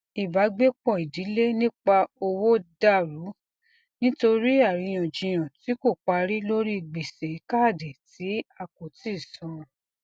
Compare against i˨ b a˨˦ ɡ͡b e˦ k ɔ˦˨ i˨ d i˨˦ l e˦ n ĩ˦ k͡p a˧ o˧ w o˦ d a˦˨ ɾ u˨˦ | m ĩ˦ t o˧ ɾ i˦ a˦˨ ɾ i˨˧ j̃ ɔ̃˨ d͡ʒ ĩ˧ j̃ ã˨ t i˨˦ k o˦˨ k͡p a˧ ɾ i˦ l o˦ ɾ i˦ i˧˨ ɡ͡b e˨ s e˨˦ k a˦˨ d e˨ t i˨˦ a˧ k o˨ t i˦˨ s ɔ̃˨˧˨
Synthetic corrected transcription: i˨ b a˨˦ ɡ͡b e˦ k͡p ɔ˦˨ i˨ d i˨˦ l e˦ n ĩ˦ k͡p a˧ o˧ w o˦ d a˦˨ ɾ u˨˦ | n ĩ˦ t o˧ ɾ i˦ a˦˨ ɾ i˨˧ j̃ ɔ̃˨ d͡ʒ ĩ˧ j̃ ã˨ t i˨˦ k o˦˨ k͡p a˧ ɾ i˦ l o˦ ɾ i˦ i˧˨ ɡ͡b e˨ s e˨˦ k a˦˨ d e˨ t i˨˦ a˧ k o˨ t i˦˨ s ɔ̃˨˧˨